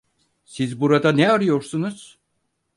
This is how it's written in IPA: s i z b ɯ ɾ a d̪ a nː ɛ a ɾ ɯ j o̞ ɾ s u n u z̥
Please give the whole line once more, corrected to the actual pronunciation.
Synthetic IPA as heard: s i z b u ɾ a d̪ a n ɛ a ɾ ɯ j o̞ ɾ s u n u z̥